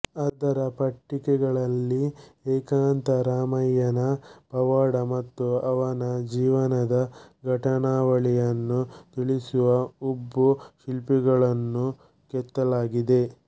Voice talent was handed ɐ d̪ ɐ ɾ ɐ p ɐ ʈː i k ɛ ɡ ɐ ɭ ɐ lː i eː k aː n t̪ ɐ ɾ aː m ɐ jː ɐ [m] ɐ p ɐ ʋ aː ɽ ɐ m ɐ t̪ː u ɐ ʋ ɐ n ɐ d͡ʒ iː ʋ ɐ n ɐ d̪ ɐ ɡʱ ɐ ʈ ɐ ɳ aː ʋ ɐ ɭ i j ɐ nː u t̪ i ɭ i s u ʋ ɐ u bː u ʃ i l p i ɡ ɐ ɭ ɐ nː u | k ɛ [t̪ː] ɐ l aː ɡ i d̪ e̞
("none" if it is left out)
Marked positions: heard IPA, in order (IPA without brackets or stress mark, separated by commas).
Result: n, t̪ː